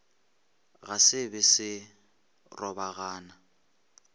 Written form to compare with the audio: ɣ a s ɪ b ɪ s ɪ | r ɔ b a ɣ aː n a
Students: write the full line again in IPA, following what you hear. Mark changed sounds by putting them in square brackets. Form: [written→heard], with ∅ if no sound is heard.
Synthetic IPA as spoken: ɣ a s ɪ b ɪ s ɪ | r ɔ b a ɣ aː n a